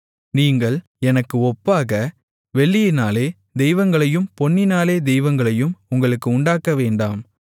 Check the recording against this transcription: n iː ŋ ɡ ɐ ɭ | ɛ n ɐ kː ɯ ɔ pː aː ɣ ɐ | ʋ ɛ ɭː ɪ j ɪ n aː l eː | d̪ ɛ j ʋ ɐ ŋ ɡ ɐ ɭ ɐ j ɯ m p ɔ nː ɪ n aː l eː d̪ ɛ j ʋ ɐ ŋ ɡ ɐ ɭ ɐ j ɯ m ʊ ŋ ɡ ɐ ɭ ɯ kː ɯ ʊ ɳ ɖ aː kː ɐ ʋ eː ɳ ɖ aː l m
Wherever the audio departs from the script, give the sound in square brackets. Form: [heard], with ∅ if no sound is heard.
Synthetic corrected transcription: n iː ŋ ɡ ɐ ɭ | ɛ n ɐ kː ɯ ɔ pː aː ɣ ɐ | ʋ ɛ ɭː ɪ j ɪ n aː l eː | d̪ ɛ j ʋ ɐ ŋ ɡ ɐ ɭ ɐ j ɯ m p ɔ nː ɪ n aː l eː d̪ ɛ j ʋ ɐ ŋ ɡ ɐ ɭ ɐ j ɯ m ʊ ŋ ɡ ɐ ɭ ɯ kː ɯ ʊ ɳ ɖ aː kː ɐ ʋ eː ɳ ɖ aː [∅] m